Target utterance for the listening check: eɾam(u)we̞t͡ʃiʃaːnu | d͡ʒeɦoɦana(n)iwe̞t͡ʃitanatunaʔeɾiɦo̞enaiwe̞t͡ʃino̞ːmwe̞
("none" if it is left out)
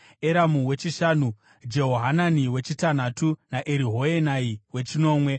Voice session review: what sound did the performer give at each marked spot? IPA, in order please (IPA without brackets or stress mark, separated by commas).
u, n